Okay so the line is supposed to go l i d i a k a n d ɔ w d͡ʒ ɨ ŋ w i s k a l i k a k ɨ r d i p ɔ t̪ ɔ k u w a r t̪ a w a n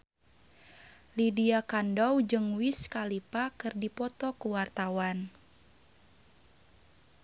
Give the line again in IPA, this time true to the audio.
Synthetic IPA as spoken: l i d i a k a n d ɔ w d͡ʒ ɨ ŋ w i s k a l i p a k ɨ r d i p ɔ t̪ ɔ k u w a r t̪ a w a n